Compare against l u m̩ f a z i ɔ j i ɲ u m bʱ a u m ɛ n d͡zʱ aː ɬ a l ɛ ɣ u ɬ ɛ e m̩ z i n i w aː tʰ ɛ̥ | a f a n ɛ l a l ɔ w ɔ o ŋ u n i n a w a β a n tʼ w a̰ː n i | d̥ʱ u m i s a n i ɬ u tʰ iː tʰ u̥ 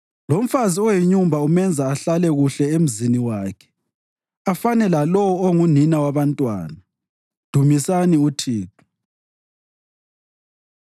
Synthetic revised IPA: l o m̩ f a z i ɔ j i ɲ u m bʱ a u m ɛ n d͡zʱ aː ɬ a l ɛ ɣ u ɬ ɛ e m̩ z i n i w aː kʰ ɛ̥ | a f a n ɛ l a l ɔ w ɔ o ŋ u n i n a w a β a n tʼ w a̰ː n a | d̥ʱ u m i s a n i u tʰ iː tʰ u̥